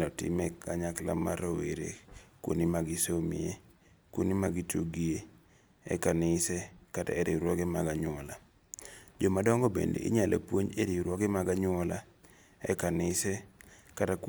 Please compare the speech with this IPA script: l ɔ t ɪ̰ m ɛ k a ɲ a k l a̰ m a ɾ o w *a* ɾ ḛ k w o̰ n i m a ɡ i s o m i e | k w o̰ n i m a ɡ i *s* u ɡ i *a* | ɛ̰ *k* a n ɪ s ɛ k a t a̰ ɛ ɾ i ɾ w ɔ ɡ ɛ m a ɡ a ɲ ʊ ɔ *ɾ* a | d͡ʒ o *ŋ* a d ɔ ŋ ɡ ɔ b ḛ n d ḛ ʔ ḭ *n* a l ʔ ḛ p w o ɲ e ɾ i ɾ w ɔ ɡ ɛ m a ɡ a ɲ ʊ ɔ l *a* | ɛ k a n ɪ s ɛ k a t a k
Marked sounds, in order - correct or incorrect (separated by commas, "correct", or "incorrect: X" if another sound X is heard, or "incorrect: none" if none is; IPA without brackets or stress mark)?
incorrect: e, incorrect: t, incorrect: e, correct, incorrect: l, incorrect: m, incorrect: ɲ, correct